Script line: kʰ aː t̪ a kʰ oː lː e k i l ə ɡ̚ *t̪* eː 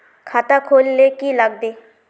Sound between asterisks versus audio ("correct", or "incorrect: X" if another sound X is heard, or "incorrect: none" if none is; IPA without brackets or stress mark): incorrect: d̪